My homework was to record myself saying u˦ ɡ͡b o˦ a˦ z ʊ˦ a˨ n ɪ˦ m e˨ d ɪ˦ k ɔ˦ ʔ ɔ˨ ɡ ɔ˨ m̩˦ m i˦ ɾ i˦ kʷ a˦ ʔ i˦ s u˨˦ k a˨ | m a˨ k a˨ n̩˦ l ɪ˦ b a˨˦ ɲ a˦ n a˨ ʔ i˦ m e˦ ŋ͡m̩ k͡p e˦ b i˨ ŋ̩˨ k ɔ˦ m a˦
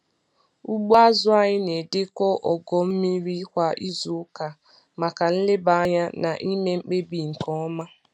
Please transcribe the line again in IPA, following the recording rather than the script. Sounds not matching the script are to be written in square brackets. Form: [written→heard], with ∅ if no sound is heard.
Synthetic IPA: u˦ ɡ͡b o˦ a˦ z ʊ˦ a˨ [n→ɲ] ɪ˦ [m→n] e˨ d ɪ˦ k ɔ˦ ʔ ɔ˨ ɡ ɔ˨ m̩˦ m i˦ ɾ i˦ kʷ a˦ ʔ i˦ [s→z] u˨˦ k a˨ | m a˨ k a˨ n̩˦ l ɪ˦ b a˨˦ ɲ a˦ n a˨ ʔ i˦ m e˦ ŋ͡m̩ k͡p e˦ b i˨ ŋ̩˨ k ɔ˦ m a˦